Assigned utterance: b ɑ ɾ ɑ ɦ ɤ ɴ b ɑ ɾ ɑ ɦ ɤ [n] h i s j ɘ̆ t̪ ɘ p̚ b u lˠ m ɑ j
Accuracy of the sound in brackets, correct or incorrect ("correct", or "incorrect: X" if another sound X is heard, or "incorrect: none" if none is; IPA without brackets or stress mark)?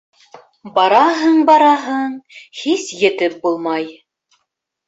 incorrect: ɴ